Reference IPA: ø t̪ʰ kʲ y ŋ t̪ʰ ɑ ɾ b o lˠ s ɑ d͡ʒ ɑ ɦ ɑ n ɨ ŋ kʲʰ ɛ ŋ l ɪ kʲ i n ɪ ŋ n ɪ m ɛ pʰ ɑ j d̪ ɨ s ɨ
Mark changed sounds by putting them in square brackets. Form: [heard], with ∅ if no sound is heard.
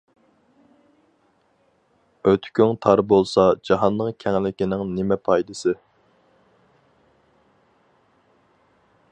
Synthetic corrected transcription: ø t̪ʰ kʲ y ŋ t̪ʰ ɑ ɾ b o lˠ s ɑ d͡ʒ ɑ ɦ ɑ [nː] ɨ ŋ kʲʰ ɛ ŋ l ɪ kʲ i n ɪ ŋ n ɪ m ɛ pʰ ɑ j d̪ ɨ s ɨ